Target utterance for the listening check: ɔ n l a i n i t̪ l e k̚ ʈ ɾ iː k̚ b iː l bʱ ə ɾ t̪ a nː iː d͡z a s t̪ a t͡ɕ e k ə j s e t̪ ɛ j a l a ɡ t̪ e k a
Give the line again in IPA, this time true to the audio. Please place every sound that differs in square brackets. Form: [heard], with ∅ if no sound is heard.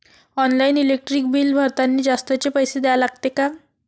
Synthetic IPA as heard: ɔ n l a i n i [∅] l e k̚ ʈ ɾ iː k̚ b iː l bʱ ə ɾ t̪ a nː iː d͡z a s t̪ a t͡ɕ e [p] ə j s e [d̪] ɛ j a l a ɡ t̪ e k a